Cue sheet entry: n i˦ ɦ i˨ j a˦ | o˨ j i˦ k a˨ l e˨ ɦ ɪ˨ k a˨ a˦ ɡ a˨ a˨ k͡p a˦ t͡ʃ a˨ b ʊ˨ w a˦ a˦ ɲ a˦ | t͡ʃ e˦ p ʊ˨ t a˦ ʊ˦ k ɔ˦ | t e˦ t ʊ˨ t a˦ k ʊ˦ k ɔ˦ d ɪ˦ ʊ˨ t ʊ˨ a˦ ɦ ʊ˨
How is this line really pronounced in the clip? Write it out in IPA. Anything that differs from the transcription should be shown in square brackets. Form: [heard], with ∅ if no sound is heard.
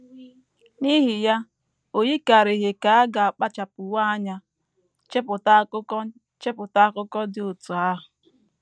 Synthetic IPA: n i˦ ɦ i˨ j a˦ | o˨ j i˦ k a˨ [ɾ] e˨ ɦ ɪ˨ k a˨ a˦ ɡ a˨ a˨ k͡p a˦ t͡ʃ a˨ [p] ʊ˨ w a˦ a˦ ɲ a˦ | t͡ʃ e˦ p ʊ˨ t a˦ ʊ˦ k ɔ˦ | [t͡ʃ] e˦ [p] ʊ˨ t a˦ k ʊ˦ k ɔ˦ d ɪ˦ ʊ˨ t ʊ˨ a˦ ɦ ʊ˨